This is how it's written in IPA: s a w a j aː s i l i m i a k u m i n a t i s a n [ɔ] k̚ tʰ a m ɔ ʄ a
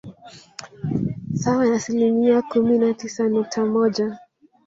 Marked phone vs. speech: incorrect: u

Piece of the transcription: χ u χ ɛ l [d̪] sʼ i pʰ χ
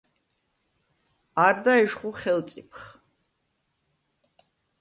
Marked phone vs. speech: incorrect: t̪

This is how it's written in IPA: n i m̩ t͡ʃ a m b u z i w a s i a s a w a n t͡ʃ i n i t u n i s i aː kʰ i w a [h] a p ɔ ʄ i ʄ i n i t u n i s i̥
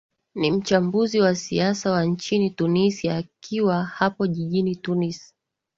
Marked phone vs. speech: correct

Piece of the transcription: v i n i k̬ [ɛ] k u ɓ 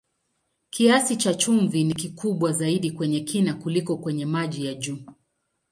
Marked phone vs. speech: incorrect: i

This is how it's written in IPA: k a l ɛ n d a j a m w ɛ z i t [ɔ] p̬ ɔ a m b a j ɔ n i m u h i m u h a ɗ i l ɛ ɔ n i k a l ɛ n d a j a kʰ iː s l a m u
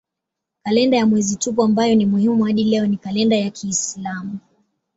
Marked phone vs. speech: incorrect: u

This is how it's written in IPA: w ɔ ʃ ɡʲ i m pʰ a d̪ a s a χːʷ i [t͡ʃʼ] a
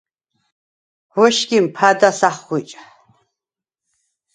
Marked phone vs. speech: correct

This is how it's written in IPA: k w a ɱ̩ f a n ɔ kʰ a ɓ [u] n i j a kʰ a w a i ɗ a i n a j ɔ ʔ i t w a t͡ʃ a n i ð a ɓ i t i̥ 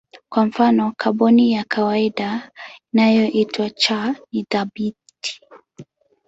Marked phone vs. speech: incorrect: ɔ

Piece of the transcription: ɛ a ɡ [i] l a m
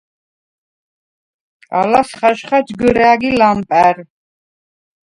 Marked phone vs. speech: correct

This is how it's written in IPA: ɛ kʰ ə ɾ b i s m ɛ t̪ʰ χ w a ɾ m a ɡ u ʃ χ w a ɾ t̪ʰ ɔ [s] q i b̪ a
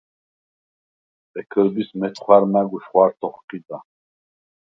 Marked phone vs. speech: incorrect: χ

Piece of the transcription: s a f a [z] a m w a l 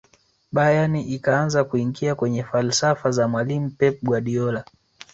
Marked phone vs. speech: correct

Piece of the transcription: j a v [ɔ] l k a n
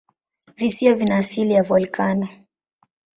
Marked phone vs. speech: correct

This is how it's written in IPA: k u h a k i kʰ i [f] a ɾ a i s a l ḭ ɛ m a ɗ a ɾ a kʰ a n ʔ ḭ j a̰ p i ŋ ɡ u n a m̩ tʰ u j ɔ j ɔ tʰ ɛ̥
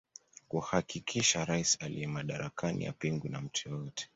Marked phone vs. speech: incorrect: ʃ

